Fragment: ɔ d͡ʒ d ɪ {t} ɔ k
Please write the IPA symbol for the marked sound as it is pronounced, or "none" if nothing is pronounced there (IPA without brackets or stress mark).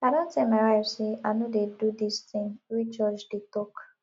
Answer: t